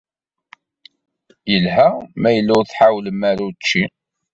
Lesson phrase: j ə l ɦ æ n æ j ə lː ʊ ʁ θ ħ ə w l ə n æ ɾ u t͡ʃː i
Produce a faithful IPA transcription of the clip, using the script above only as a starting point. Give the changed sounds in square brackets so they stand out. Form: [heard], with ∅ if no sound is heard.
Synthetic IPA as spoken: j ə l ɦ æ [m] æ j ə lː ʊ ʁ θ ħ [a] w l ə [m] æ ɾ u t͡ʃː i